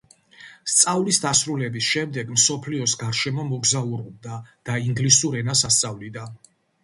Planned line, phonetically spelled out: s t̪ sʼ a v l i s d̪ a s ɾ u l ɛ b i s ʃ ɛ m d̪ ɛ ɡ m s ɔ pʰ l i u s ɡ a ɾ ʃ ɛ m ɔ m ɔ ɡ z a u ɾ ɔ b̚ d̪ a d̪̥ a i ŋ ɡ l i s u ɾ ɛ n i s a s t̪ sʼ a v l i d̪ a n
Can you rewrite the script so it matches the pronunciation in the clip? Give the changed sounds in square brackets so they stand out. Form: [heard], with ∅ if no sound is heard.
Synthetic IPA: s t̪ sʼ a v l i s d̪ a s ɾ u l ɛ b i s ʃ ɛ m d̪ ɛ ɡ m s ɔ pʰ l i [ɔ] s ɡ a ɾ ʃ ɛ m ɔ m ɔ ɡ z a u ɾ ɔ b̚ d̪ a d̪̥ a i ŋ ɡ l i s u ɾ ɛ n [a] s a s t̪ sʼ a v l i d̪ a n